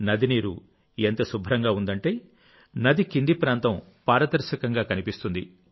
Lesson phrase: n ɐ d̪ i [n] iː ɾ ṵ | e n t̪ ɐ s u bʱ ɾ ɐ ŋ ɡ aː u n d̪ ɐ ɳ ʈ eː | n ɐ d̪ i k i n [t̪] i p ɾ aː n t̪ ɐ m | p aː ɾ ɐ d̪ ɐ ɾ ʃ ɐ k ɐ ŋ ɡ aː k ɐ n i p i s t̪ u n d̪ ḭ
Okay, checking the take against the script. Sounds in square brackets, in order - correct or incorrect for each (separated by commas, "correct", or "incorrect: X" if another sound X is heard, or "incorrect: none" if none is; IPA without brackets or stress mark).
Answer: correct, incorrect: d̪